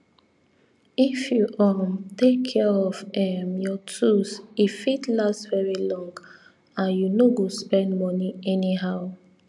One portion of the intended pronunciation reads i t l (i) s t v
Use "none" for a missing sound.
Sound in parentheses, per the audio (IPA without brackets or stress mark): a